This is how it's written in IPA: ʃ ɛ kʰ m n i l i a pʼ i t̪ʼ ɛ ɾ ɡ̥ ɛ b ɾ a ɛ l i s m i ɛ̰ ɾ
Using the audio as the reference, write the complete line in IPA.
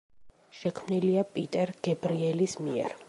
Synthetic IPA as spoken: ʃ ɛ kʰ m n i l i a pʼ i t̪ʼ ɛ ɾ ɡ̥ ɛ b ɾ i ɛ l i s m i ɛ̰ ɾ